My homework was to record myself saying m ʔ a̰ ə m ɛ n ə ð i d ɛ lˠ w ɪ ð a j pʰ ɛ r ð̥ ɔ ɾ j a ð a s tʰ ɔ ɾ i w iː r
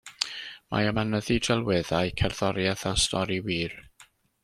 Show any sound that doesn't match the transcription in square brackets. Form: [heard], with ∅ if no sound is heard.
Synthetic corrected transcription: m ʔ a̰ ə m [a] n ə ð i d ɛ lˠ w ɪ ð a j [kʰ] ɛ r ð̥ ɔ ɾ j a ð a s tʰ ɔ ɾ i w iː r